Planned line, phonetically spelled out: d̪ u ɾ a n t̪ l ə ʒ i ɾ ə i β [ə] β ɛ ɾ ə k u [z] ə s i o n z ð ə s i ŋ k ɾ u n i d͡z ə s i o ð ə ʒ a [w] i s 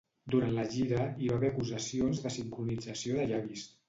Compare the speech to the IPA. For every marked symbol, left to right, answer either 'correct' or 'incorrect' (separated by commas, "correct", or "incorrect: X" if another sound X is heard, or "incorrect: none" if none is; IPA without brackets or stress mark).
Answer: incorrect: a, correct, incorrect: β